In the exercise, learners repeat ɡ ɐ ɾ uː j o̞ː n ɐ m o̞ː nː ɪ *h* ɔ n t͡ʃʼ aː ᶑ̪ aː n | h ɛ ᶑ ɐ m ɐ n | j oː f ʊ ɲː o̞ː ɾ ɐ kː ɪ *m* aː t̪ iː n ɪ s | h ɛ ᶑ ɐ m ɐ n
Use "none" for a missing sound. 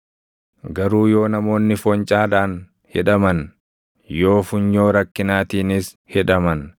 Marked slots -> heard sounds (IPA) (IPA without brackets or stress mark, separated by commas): f, n